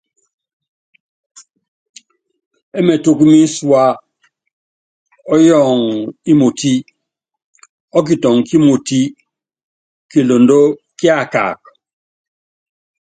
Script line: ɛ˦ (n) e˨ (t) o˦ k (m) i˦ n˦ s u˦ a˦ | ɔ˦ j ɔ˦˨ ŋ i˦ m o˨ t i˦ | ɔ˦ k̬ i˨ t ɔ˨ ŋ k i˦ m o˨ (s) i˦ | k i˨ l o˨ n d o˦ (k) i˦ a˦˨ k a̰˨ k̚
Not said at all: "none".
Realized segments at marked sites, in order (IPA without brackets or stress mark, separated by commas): m, t, m, t, k